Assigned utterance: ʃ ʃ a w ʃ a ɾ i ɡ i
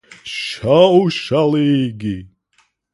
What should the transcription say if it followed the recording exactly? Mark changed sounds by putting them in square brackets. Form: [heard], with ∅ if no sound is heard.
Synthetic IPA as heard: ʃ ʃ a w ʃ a [l] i ɡ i